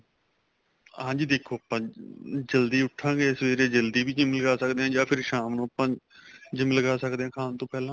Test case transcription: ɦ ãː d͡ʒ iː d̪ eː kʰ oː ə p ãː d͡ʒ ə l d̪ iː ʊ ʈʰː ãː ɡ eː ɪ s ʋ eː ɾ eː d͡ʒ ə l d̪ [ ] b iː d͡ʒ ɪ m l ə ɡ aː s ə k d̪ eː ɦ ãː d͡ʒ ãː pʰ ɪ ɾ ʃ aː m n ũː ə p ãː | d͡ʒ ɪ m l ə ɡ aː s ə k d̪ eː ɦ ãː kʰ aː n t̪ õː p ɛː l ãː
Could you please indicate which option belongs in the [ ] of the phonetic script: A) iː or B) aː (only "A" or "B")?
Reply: A